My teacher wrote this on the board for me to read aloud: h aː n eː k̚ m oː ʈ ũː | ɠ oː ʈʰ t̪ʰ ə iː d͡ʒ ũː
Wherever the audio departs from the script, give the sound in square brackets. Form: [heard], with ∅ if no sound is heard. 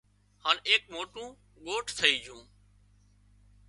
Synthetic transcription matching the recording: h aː n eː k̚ m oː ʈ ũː | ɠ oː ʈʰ t̪ʰ ə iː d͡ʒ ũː